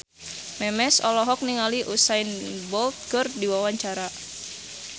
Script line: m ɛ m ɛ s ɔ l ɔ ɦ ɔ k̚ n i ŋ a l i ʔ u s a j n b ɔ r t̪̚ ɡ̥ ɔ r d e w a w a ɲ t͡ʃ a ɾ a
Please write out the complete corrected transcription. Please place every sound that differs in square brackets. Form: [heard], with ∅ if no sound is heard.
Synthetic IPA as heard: m ɛ m ɛ s ɔ l ɔ ɦ ɔ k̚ n i ŋ a l i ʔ u s a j n b ɔ [l] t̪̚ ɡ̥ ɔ r d [i] w a w a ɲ t͡ʃ a ɾ a